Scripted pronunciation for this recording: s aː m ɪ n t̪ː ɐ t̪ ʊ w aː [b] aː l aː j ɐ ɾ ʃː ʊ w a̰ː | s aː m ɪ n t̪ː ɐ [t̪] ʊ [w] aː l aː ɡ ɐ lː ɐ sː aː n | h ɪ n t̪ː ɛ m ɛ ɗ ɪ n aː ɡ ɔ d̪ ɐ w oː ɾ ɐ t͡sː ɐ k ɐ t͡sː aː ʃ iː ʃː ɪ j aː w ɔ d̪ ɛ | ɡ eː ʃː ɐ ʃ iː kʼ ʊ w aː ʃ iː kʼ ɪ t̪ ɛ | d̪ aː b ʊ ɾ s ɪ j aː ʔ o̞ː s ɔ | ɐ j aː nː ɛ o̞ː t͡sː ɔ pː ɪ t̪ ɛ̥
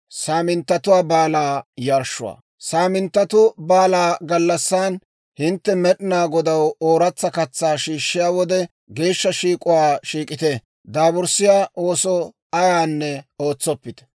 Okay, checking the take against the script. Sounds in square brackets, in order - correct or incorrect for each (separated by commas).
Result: correct, correct, incorrect